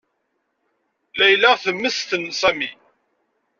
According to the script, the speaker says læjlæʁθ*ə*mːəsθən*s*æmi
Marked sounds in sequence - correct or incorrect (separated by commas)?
correct, correct